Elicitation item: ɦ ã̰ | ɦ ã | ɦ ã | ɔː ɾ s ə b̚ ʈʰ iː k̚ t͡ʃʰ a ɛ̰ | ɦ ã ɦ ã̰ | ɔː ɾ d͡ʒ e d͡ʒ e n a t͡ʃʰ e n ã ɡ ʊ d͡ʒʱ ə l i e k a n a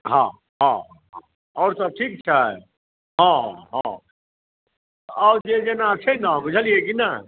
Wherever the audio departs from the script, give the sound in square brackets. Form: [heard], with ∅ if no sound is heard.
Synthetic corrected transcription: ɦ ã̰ | ɦ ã | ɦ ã | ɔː ɾ s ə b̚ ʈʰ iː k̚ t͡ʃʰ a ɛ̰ | ɦ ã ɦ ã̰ | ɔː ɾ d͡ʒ e d͡ʒ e n a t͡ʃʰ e n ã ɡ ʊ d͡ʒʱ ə l i e k [i] n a